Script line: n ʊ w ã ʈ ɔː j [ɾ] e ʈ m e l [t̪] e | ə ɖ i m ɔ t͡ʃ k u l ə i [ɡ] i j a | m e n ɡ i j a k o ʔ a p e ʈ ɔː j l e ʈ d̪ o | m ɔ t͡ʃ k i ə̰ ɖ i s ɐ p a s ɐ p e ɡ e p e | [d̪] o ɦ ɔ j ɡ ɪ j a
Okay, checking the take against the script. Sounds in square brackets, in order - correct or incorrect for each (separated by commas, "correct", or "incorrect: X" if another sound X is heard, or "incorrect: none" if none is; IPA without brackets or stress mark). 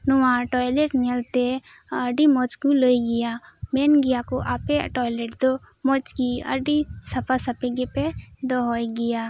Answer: incorrect: l, correct, correct, correct